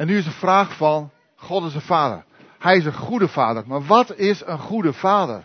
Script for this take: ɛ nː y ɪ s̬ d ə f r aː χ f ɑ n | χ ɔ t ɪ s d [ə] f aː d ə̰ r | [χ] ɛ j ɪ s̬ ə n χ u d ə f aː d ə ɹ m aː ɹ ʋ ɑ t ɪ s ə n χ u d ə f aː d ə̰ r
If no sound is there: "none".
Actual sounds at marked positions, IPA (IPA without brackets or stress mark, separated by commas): ə, h